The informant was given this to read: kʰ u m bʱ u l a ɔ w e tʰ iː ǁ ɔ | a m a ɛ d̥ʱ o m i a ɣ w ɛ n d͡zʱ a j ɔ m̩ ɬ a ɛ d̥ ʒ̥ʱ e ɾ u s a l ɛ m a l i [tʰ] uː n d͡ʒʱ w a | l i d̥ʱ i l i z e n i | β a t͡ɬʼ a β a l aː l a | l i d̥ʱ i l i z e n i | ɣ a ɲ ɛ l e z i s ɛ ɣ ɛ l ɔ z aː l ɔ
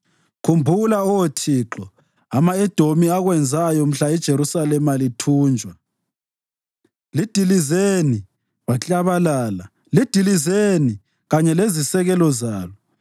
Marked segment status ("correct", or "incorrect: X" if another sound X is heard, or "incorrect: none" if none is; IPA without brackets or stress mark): correct